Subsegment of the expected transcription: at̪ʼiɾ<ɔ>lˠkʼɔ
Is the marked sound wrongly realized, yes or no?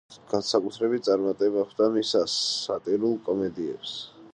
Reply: yes